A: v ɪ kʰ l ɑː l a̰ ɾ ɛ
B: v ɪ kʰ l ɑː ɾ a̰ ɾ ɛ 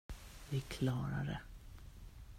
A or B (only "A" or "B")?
B